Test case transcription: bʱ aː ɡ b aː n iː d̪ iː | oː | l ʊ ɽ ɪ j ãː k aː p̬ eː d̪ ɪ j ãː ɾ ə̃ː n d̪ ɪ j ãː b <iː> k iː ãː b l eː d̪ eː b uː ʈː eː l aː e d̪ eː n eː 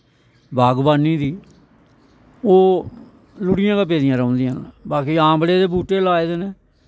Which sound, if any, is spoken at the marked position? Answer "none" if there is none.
aː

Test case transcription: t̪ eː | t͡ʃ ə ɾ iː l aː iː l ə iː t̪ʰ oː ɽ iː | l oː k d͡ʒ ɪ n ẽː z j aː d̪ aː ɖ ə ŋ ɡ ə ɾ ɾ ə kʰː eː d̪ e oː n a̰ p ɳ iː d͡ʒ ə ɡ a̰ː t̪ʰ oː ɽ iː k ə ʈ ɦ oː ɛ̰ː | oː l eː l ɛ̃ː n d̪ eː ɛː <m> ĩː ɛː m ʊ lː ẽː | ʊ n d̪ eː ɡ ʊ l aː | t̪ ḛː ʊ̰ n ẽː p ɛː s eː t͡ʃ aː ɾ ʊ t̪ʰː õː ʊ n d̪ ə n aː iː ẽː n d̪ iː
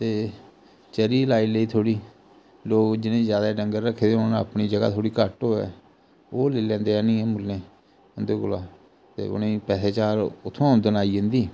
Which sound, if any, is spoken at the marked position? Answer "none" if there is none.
n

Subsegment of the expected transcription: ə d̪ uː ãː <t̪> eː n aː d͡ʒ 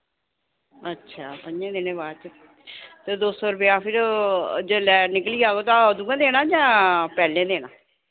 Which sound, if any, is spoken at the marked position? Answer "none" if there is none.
d̪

